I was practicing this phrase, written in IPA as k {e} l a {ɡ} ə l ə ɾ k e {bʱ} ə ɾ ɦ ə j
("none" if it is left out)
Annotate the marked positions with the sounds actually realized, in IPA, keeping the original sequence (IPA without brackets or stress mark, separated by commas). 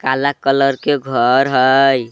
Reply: a, k, ɡʱ